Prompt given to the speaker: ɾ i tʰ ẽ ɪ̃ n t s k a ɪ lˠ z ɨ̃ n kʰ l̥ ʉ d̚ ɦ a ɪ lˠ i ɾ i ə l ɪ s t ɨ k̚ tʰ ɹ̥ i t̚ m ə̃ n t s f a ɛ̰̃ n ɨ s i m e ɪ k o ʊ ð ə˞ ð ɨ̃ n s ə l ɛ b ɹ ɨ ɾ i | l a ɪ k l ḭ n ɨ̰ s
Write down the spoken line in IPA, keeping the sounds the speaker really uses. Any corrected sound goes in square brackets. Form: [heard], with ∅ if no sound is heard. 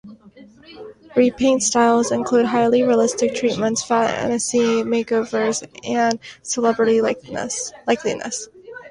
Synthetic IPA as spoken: [ɹ] i [pʰ] ẽ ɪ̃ n t s [t] a ɪ lˠ z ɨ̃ n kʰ l̥ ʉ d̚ ɦ a ɪ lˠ i [ɹ] i ə l ɪ s t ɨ k̚ tʰ ɹ̥ i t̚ m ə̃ n t s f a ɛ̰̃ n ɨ s i m e ɪ k o ʊ [v] ə˞ [z] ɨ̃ n s ə l ɛ b ɹ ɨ ɾ i | l a ɪ k l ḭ n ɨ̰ s